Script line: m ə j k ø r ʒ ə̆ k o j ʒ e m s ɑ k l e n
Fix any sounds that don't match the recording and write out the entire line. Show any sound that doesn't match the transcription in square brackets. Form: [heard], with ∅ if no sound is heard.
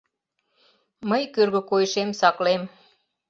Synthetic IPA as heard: m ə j k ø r [ɣ] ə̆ k o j [ʃ] e m s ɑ k l e [m]